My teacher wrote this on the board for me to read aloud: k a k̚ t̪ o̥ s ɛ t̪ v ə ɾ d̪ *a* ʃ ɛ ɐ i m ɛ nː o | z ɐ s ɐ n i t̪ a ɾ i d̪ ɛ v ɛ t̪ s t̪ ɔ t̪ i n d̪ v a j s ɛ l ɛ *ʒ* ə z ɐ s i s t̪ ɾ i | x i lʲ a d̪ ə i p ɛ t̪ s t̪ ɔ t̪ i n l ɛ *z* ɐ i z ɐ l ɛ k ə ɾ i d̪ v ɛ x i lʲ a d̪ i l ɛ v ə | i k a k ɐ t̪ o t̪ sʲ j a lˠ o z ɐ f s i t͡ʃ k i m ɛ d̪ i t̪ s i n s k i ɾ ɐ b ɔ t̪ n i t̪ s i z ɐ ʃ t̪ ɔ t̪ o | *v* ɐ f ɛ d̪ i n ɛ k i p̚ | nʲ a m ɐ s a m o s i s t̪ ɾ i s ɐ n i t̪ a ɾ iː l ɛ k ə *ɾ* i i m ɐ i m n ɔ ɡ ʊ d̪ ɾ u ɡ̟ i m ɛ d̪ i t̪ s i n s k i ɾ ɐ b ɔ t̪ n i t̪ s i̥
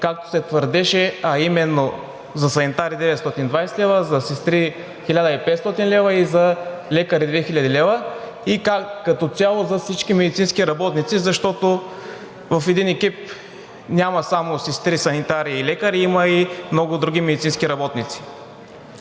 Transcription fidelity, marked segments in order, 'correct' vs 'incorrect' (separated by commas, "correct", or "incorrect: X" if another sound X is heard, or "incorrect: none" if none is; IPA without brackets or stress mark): incorrect: ɛ, incorrect: v, incorrect: v, correct, correct